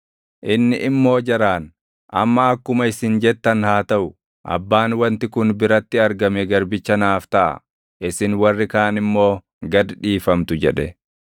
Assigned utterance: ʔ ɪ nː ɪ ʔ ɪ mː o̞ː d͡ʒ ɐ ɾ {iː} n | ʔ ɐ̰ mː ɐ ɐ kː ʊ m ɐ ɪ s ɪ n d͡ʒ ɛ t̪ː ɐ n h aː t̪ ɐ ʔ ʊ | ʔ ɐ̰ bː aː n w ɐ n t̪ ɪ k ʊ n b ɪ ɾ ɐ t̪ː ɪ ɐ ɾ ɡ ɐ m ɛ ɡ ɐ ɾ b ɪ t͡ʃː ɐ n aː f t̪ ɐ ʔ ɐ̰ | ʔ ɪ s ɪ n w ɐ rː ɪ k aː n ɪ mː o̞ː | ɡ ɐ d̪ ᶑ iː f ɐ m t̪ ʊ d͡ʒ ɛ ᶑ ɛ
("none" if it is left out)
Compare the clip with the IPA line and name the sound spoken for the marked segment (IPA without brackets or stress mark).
aː